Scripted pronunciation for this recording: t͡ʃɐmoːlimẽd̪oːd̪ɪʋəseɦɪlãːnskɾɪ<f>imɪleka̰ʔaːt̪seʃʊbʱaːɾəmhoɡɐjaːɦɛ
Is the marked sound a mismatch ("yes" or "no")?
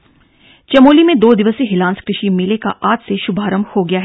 yes